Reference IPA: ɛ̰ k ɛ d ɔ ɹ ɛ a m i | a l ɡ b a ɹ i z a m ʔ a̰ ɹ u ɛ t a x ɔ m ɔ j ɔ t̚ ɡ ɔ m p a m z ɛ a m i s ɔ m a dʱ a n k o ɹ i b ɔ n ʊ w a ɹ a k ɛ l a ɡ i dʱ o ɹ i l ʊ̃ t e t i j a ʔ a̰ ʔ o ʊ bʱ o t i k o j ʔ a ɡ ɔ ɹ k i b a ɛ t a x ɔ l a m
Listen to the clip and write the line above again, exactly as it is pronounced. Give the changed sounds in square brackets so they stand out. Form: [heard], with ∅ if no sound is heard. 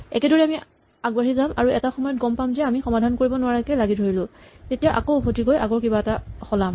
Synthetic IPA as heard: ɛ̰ k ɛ d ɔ ɹ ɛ a m i | a [∅] ɡ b a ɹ i z a m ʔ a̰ ɹ u ɛ t a x ɔ m ɔ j ɔ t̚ ɡ ɔ m p a m z ɛ a m i [x] ɔ m a dʱ a n k o ɹ i b ɔ n ʊ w a ɹ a k ɛ l a ɡ i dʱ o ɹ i l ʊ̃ t e t i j a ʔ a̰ [k] o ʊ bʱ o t i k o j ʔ a ɡ ɔ ɹ k i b a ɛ t a x ɔ l a m